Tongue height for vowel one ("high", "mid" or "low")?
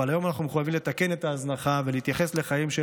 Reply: low